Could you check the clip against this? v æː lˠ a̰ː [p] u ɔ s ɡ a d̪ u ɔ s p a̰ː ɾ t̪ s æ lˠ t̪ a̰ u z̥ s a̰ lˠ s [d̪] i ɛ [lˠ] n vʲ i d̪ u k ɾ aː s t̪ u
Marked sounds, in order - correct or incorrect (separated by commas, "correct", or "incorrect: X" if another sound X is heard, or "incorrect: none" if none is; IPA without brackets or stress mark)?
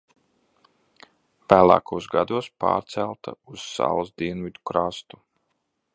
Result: incorrect: k, correct, incorrect: none